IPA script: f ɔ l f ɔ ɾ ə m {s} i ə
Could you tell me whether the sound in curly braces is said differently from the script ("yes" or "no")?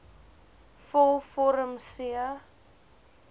no